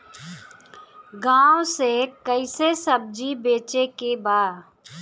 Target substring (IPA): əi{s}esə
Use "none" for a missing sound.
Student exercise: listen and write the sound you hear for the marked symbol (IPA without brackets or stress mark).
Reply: s